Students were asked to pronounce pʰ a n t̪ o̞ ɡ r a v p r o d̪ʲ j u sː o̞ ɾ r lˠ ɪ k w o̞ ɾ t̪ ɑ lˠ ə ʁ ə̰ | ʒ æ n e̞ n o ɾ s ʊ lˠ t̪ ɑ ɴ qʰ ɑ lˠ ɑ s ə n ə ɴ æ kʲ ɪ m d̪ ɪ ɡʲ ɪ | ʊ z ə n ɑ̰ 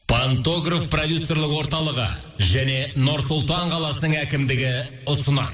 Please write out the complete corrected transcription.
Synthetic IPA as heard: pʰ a n t̪ o̞ ɡ r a f p r o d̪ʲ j u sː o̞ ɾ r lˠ ɪ k w o̞ ɾ t̪ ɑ lˠ ə ʁ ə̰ | ʒ æ n e̞ n o ɾ s ʊ lˠ t̪ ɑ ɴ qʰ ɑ lˠ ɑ s ə n ə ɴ æ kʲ ɪ m d̪ ɪ ɡʲ ɪ | ʊ s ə n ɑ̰